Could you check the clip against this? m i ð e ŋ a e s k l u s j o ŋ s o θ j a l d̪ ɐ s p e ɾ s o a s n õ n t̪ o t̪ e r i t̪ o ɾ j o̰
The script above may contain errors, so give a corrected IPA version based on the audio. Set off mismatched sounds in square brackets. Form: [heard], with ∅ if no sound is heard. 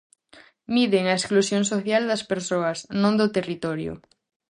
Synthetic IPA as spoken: m i ð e ŋ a e s k l u s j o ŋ s o θ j a l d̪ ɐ s p e ɾ s o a s n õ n [d̪] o t̪ e r i t̪ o ɾ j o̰